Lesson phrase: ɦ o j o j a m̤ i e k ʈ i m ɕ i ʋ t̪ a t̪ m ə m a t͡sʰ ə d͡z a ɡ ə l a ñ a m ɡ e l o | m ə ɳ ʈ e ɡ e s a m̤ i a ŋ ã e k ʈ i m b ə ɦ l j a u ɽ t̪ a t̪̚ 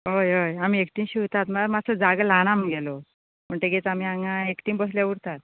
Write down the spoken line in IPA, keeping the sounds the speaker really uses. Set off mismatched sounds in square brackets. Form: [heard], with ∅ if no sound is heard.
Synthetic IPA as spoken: ɦ o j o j a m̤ i e k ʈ i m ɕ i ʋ t̪ a t̪ m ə m a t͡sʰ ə d͡z a ɡ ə l a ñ a m ɡ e l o | m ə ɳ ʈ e ɡ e [t͡s] a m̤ i a ŋ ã e k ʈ i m b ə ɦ l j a u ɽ t̪ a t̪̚